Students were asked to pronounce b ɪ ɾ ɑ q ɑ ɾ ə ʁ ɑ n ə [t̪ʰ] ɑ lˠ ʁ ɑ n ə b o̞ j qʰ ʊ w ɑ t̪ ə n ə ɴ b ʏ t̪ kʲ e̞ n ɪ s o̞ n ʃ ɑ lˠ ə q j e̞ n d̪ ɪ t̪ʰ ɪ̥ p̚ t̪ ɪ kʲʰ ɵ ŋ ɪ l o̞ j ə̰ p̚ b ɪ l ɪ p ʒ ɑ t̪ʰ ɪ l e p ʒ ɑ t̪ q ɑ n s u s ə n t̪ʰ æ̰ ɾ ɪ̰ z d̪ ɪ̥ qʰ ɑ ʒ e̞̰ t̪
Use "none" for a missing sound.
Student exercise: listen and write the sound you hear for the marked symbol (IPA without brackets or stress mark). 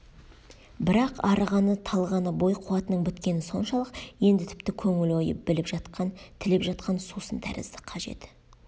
t̪ʰ